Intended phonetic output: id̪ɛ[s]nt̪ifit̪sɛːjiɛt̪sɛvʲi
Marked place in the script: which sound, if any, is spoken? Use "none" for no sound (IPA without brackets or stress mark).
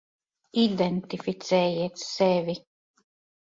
none